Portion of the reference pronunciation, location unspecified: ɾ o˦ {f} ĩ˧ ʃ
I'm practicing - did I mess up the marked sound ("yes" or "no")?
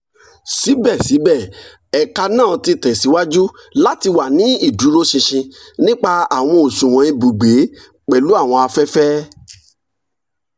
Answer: yes